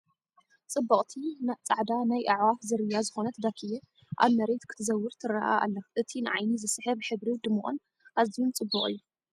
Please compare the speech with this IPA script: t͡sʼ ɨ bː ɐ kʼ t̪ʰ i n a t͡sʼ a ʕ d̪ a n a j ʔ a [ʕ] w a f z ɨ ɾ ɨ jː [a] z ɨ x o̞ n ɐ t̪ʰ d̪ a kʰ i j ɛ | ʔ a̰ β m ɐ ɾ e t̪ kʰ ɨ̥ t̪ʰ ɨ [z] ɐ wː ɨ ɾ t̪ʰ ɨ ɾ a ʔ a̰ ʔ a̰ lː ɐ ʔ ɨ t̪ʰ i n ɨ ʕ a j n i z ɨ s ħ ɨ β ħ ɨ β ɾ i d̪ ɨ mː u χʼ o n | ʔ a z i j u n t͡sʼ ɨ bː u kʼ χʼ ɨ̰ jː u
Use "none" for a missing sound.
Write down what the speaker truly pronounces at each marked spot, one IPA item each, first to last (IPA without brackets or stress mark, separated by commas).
ʕ, a, z